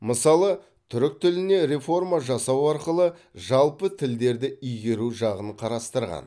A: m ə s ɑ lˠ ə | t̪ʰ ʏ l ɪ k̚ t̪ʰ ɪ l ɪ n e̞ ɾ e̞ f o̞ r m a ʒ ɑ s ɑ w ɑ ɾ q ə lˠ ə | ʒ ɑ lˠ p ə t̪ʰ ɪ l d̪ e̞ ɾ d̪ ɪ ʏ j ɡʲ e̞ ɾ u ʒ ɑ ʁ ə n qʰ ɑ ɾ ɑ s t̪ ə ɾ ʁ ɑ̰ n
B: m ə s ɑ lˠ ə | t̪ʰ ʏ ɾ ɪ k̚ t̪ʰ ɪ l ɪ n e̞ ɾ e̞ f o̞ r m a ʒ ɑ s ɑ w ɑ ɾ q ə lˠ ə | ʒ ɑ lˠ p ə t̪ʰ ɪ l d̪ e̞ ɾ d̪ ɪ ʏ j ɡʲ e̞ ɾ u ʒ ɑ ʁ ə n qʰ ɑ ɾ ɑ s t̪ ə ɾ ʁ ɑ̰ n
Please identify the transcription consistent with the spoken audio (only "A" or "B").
B